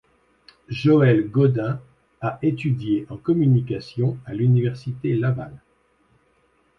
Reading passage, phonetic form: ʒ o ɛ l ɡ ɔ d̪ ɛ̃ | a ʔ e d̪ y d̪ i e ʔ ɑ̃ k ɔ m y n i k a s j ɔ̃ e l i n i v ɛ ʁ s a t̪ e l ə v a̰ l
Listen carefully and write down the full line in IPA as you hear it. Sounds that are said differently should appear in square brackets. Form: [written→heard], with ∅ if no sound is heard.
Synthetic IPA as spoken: ʒ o ɛ l ɡ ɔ d̪ ɛ̃ | a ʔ e [d̪→t̪] y d̪ [i→j] e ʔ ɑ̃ k ɔ m y n i k a s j ɔ̃ [e→a] l [i→y] n i v ɛ ʁ s [a→i] t̪ e l [ə→a] v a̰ l